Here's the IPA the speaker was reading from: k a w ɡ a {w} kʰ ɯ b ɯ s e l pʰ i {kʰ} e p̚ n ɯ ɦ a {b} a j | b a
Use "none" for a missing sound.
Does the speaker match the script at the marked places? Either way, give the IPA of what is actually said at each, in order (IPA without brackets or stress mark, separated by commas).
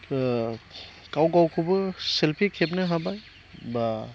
w, kʰ, b